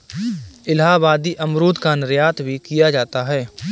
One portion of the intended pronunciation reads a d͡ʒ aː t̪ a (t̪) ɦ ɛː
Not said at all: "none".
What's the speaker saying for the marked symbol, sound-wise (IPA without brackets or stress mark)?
none